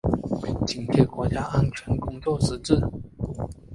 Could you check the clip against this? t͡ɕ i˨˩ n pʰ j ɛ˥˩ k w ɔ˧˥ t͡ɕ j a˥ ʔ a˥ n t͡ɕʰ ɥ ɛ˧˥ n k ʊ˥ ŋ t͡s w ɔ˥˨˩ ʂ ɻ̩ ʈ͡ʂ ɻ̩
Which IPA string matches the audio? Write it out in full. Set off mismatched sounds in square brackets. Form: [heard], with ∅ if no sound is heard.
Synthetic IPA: t͡ɕ i˨˩ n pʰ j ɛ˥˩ k w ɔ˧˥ t͡ɕ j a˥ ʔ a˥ n t͡ɕʰ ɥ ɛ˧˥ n k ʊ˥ ŋ t͡s w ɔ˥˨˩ ʂ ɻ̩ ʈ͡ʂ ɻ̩